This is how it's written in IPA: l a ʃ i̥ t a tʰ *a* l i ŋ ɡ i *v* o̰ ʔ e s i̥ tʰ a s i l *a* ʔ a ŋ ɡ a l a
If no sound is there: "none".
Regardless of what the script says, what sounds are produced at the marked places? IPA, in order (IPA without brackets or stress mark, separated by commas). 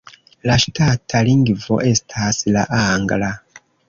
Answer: a, v, a